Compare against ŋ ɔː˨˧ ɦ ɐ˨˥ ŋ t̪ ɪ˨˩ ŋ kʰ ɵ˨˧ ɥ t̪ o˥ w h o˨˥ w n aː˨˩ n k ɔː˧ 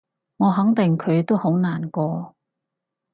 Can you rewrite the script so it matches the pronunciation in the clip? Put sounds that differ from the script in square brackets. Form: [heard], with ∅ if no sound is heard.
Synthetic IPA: ŋ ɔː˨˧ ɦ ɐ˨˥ ŋ t̪ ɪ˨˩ ŋ kʰ ɵ˨˧ ɥ t̪ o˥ w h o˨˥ w n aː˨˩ n k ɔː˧